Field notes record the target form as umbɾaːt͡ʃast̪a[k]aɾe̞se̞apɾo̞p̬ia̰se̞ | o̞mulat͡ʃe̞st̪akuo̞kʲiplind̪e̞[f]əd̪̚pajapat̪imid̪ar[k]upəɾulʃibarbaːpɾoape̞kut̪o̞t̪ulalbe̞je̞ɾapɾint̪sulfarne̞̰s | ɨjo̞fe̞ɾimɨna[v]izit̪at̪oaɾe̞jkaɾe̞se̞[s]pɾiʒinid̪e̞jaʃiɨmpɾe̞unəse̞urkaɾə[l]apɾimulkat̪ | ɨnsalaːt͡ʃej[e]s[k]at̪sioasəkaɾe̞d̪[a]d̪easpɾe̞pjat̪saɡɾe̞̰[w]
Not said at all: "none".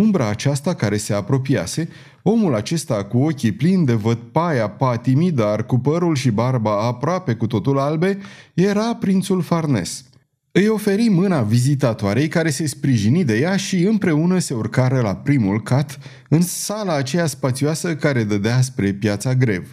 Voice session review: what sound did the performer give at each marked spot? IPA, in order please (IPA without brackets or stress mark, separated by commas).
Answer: k, v, k, v, s, l, a, p, ə, v